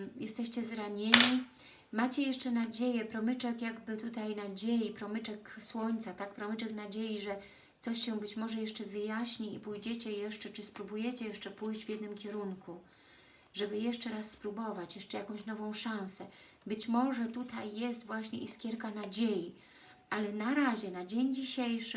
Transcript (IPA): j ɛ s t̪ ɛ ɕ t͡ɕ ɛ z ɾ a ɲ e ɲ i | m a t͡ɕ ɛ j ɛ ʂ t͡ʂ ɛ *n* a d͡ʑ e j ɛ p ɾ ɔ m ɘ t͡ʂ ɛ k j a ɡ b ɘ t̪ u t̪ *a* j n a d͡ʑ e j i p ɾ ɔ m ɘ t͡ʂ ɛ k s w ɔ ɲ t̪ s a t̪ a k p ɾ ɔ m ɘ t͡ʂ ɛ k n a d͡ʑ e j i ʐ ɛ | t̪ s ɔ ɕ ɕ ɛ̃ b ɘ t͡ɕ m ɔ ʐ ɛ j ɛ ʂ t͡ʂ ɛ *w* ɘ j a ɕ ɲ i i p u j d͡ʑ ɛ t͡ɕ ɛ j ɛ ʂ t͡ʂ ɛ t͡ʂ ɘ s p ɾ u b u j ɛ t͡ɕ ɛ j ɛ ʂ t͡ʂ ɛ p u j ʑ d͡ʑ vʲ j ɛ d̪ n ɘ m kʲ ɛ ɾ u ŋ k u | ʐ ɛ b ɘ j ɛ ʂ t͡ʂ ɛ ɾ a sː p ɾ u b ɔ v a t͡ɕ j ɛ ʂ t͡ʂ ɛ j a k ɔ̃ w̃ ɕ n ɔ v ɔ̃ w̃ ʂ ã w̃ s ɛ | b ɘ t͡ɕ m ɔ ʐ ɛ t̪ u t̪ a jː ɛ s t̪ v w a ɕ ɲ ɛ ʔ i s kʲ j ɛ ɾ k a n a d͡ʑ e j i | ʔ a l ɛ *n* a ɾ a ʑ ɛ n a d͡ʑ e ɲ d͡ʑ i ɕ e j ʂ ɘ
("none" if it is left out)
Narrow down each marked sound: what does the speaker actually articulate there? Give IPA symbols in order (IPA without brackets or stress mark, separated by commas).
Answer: n, a, v, n